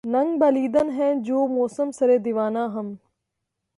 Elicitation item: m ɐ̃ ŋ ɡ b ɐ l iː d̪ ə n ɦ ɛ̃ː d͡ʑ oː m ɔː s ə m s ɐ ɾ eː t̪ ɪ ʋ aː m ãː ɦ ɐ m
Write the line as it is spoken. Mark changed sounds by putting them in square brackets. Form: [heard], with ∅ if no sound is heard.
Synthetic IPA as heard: [n] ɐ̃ ŋ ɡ b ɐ l iː d̪ ə n ɦ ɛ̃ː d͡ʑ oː m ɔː s ə m s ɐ ɾ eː [d̪] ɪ ʋ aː [n] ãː ɦ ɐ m